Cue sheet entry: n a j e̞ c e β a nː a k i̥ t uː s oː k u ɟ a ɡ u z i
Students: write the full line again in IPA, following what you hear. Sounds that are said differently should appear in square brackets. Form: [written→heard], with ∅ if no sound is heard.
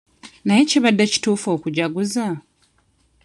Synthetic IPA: n a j e̞ c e β a [nː→dː] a [k→c] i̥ t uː [s→f] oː k u ɟ a ɡ u z [i→a]